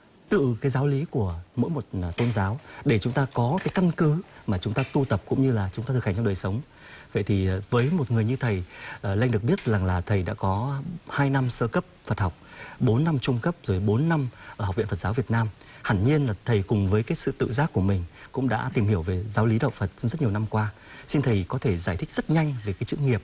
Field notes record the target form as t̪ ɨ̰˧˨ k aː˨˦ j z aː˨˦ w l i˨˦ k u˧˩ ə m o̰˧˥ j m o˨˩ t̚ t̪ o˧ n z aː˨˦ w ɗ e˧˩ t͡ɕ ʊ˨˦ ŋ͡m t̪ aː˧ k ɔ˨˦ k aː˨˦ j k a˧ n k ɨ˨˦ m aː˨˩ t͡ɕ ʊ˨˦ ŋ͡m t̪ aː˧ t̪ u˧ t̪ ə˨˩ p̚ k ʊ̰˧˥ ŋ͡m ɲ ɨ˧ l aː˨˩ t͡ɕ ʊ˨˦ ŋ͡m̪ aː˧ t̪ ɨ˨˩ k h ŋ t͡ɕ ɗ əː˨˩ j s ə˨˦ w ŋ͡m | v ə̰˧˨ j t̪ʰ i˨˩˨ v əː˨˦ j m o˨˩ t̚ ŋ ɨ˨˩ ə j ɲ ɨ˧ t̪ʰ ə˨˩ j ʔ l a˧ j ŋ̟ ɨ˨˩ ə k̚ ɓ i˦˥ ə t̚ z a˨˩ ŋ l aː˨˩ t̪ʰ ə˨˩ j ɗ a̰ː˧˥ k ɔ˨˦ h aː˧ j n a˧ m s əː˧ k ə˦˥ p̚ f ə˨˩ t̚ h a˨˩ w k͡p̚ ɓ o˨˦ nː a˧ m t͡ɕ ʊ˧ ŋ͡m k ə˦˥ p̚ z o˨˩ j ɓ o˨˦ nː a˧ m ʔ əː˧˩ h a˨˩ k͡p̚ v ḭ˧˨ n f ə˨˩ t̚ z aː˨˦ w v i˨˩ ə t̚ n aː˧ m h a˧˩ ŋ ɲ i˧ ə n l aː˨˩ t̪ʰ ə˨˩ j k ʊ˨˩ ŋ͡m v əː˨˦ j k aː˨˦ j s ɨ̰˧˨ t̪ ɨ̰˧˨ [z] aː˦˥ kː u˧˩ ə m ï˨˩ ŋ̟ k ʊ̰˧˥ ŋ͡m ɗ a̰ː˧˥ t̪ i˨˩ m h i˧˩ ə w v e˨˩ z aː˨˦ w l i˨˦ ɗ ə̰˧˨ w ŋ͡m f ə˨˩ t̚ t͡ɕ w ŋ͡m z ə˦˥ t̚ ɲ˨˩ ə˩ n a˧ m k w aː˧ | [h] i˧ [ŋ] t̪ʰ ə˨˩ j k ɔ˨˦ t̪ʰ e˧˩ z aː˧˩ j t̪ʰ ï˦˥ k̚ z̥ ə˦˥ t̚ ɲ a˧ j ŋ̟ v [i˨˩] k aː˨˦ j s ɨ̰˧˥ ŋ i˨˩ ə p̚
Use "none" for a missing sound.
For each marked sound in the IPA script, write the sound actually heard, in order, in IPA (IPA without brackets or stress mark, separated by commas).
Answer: z, s, n, e˨˩